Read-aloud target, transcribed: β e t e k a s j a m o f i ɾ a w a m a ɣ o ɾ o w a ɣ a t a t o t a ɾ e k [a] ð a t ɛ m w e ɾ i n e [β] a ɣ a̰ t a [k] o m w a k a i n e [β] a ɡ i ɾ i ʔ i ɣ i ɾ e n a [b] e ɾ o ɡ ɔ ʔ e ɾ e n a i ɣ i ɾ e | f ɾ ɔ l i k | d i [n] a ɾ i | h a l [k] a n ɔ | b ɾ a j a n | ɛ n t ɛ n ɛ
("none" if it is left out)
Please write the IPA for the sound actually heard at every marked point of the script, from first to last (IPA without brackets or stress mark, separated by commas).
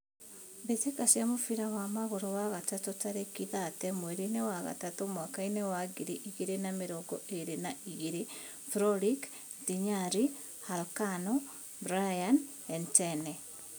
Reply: i, w, t, w, m, ɲ, k